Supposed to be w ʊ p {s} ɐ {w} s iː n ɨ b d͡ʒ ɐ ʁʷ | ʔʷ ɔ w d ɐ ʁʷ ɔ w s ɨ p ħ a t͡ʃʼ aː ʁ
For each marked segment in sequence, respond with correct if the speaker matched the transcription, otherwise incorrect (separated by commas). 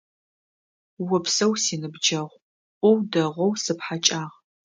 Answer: correct, correct